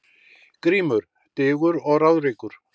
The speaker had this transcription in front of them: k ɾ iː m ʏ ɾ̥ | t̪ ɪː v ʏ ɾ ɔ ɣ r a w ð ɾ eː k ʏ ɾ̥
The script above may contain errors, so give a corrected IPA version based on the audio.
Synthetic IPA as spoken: k ɾ iː m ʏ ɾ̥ | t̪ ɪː ɣ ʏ ɾ ɔ ɣ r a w ð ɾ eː k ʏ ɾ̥